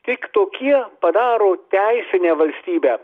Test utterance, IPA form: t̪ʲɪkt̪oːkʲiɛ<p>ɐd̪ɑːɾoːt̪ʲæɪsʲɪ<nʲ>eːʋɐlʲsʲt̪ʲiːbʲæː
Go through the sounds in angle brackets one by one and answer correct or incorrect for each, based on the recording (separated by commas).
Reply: correct, correct